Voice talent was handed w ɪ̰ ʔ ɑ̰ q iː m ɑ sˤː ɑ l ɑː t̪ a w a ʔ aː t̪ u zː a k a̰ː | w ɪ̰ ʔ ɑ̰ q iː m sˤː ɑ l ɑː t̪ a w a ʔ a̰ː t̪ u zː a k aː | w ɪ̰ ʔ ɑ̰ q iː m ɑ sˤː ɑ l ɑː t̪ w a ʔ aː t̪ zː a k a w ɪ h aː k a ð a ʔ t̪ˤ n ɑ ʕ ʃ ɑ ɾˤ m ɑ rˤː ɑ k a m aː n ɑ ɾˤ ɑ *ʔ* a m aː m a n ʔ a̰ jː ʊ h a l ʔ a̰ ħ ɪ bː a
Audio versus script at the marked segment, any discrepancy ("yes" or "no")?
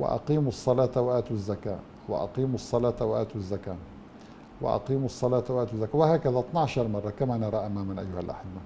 no